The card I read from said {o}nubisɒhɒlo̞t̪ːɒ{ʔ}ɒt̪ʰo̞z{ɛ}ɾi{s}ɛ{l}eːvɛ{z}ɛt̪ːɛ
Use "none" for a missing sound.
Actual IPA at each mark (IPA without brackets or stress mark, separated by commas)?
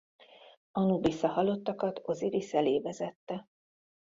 ɒ, k, i, s, l, z